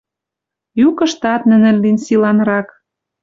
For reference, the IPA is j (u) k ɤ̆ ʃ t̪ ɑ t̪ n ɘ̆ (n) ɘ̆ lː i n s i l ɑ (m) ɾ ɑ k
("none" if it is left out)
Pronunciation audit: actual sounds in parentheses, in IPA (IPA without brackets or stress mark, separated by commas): u, n, n